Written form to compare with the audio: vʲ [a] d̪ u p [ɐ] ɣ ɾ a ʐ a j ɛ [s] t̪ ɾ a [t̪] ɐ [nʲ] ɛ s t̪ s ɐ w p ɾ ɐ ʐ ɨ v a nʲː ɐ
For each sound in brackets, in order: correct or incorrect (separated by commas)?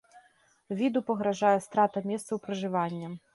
incorrect, correct, correct, correct, incorrect